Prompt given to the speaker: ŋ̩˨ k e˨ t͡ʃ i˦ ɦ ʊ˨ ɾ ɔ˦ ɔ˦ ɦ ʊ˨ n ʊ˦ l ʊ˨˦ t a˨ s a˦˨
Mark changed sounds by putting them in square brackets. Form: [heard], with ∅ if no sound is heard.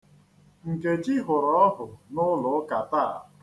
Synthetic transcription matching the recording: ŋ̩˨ k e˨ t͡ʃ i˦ ɦ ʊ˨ ɾ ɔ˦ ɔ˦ ɦ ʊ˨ n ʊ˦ l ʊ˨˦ [k] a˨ [t] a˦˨